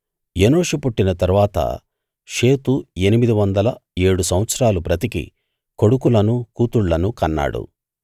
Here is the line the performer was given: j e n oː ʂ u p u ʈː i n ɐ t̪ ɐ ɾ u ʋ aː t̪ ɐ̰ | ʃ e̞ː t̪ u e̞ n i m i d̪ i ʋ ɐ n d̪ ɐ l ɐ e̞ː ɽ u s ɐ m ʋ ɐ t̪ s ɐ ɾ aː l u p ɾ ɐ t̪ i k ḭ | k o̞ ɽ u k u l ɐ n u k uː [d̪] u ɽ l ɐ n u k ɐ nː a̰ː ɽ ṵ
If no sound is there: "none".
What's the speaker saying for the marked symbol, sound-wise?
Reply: t̪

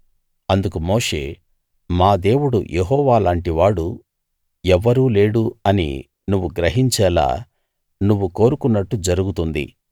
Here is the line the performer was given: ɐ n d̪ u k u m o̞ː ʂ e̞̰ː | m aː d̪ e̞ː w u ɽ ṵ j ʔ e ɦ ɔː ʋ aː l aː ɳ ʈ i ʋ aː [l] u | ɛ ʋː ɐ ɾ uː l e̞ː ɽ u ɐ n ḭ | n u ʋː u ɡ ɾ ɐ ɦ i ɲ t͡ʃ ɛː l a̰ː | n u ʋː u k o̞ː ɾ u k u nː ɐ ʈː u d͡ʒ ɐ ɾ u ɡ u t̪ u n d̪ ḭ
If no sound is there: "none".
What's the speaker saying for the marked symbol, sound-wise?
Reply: ɽ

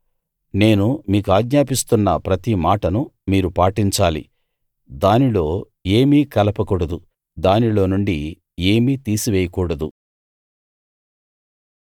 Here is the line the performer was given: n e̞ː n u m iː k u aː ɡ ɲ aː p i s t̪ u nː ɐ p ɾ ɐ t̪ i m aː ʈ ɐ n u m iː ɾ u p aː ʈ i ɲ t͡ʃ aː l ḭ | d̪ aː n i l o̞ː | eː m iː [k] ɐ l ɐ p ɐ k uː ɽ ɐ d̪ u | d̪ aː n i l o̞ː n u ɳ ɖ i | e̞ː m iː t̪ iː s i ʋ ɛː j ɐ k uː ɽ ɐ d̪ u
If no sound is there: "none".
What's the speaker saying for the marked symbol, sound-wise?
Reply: k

